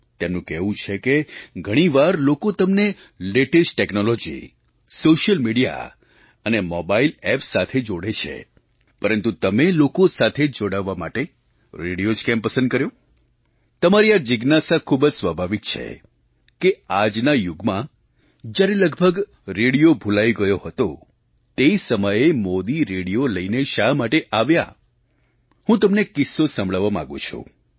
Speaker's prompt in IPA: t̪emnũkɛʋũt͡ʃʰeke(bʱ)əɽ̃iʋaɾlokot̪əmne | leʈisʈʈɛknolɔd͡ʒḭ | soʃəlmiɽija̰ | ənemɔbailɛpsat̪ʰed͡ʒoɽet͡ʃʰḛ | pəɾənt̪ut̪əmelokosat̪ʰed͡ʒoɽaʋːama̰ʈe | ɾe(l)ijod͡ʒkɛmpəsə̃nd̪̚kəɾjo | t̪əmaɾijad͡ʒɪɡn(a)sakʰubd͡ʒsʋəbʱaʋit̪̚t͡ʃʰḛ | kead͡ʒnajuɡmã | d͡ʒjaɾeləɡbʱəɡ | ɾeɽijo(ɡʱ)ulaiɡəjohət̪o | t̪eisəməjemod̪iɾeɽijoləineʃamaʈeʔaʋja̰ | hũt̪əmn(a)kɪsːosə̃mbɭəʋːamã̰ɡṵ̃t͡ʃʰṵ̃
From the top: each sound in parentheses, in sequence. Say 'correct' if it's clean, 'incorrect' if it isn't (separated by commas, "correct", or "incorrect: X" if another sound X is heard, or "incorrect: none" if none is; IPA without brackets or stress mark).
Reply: incorrect: ɡʱ, incorrect: ɽ, correct, incorrect: bʱ, incorrect: e